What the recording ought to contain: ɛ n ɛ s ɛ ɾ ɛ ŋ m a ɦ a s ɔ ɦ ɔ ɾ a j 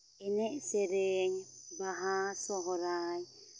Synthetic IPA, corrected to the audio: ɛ n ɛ s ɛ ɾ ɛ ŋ b a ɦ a s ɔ ɦ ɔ ɾ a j